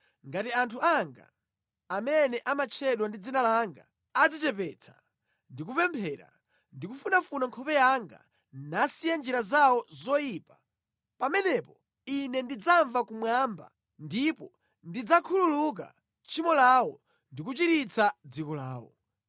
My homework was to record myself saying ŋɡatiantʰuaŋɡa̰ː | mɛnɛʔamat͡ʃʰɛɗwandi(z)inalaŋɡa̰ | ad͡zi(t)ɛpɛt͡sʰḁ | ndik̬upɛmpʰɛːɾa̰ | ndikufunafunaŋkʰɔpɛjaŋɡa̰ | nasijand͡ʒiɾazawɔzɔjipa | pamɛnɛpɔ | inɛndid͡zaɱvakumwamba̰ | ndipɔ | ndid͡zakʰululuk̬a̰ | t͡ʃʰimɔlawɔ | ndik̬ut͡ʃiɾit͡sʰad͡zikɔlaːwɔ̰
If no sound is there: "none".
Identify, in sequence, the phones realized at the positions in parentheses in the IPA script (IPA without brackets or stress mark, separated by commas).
d͡z, t͡ʃ